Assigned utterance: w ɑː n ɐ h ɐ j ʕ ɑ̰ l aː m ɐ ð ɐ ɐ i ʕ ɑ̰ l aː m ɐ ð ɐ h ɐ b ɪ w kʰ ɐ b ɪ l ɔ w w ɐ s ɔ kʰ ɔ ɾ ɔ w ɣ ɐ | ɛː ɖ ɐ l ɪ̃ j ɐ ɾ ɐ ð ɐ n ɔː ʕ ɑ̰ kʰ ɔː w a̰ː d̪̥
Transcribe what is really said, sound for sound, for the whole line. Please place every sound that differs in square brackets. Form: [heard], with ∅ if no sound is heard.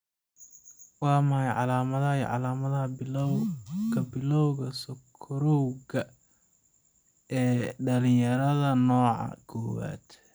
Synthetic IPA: w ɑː [m] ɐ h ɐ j ʕ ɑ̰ l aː m ɐ ð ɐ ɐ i ʕ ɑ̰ l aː m ɐ ð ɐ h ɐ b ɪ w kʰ ɐ b ɪ l ɔ w [ɣ] ɐ s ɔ kʰ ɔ ɾ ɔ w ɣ ɐ | ɛː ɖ ɐ l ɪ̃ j ɐ ɾ ɐ ð ɐ n ɔː ʕ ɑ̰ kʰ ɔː w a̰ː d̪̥